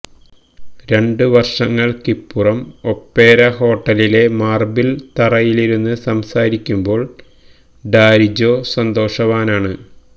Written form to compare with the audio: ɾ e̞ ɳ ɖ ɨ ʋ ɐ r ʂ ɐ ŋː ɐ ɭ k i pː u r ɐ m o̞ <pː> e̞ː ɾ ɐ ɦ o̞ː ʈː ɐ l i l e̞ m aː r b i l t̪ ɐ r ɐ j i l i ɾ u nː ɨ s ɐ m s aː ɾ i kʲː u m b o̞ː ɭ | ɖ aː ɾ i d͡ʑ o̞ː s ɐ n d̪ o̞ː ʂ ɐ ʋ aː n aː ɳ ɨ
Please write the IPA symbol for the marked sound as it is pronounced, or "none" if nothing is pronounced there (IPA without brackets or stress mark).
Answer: pː